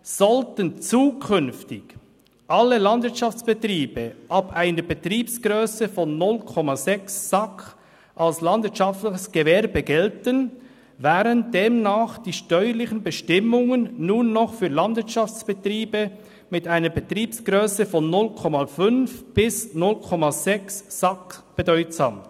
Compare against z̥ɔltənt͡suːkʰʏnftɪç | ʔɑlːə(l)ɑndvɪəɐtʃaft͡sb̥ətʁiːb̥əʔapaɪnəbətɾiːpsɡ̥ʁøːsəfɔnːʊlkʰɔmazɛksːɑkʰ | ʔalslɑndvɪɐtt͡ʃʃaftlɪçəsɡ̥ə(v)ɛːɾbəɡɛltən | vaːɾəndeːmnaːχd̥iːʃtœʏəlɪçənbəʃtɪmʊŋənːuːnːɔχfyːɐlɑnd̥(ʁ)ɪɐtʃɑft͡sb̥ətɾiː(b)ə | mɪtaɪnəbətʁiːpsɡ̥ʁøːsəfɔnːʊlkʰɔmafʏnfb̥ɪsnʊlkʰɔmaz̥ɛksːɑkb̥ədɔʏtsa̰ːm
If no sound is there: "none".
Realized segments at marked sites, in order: l, v, v, b

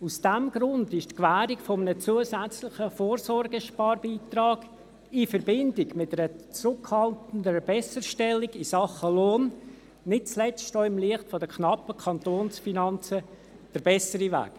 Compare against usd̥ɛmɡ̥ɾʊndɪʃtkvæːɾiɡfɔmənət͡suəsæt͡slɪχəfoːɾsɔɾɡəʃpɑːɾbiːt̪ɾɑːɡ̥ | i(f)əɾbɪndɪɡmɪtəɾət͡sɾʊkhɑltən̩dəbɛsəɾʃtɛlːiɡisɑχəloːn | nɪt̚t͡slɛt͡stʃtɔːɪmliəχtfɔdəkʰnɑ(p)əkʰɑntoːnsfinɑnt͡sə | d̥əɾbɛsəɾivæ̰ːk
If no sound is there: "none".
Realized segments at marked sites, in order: f, p

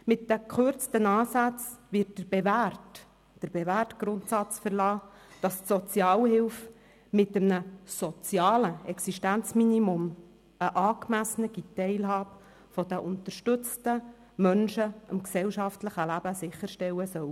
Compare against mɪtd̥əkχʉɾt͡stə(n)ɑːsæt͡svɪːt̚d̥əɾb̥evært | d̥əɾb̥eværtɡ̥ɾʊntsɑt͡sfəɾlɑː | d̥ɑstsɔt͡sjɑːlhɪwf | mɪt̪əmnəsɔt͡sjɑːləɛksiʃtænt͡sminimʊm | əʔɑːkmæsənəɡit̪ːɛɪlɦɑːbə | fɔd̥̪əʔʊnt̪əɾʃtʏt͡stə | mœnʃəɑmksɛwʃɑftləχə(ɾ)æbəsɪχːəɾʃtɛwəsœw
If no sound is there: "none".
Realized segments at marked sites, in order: n, l

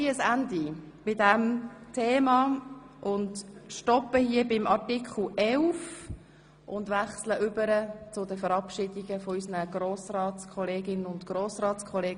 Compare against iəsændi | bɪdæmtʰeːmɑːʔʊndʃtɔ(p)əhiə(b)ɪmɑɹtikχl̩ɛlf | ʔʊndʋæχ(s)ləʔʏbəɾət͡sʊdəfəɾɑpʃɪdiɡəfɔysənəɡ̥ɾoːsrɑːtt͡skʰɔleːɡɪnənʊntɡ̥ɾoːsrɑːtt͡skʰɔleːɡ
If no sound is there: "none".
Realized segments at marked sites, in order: p, b, s

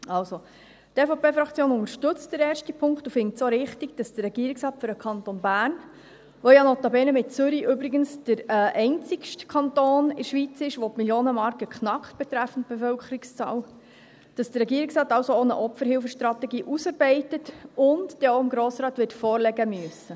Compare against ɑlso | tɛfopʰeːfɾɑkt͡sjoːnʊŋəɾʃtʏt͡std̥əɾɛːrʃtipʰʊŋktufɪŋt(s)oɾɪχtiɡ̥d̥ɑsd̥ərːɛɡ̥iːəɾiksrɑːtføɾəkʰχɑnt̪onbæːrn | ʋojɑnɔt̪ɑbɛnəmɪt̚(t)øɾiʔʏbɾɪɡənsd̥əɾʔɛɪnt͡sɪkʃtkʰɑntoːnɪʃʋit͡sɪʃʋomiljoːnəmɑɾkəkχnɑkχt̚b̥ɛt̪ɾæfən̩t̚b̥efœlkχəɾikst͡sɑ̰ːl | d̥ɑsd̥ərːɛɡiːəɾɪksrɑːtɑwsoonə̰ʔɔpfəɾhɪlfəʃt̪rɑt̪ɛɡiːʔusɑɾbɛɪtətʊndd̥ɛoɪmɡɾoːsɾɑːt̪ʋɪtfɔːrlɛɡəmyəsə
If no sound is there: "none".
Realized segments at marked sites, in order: s, t͡s

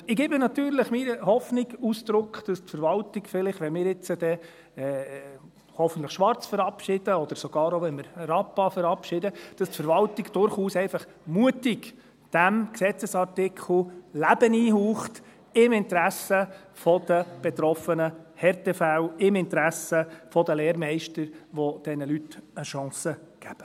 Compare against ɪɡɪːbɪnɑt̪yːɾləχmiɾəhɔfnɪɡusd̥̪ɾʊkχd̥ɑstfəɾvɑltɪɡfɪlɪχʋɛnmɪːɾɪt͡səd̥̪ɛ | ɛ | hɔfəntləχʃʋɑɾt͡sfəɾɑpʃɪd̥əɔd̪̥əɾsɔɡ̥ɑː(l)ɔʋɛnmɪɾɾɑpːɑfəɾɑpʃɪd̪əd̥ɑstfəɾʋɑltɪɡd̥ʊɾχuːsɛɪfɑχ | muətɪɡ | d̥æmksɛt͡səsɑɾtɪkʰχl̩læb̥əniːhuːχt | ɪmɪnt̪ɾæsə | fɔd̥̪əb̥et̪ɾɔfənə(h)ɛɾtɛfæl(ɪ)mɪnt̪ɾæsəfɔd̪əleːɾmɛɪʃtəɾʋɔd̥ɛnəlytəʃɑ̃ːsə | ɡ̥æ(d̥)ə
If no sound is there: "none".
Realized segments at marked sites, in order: ɾ, h, ɪ, b̥

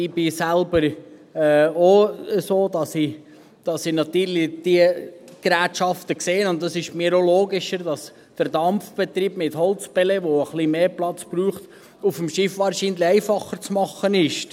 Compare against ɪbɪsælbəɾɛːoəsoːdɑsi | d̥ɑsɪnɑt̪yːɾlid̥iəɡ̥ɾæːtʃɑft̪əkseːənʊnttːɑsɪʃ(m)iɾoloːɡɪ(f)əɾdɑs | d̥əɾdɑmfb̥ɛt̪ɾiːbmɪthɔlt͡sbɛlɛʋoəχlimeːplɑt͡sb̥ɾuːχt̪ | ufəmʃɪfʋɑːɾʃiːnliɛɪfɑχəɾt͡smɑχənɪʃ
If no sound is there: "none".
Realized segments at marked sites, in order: m, ʃ

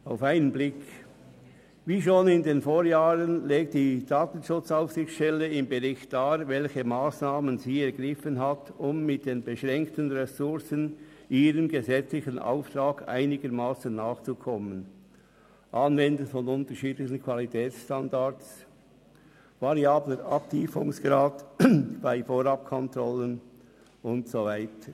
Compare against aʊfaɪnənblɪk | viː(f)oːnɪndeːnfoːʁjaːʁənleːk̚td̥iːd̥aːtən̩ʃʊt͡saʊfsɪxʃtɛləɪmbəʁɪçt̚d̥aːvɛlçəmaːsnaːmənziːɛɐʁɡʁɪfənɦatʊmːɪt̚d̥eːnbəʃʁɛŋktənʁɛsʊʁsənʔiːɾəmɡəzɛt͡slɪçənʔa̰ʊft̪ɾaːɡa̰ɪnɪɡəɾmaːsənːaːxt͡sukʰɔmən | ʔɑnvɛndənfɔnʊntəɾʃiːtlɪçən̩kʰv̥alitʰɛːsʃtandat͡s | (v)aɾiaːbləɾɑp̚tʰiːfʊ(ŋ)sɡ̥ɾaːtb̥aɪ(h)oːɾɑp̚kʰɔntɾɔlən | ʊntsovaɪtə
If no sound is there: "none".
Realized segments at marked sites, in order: ʃ, v, ŋ, f

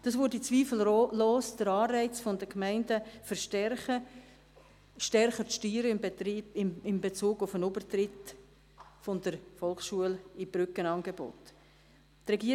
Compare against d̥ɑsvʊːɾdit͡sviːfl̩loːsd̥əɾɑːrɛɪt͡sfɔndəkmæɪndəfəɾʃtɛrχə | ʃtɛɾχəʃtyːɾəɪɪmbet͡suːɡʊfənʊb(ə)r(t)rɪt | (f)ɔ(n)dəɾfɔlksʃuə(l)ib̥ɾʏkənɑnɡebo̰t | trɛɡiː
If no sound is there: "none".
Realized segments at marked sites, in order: ə, t, f, n, l

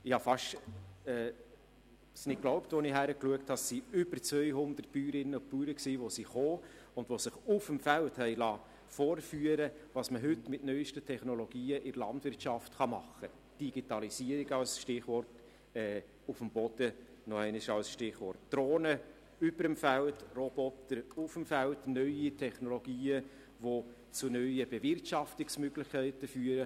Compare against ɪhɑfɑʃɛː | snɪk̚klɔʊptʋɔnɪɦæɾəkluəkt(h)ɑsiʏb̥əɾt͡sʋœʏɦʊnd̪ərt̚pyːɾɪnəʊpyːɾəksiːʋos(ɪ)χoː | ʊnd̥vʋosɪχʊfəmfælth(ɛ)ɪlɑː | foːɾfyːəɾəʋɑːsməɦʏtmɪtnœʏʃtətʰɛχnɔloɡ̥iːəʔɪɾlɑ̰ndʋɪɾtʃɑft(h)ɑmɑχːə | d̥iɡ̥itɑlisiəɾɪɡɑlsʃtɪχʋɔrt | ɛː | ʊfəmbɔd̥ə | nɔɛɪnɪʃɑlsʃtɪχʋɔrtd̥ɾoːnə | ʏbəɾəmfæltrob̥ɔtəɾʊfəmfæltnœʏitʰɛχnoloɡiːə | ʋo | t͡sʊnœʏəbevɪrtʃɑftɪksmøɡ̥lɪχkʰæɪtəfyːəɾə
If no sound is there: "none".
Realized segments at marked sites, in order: h, i, ɛ, χ

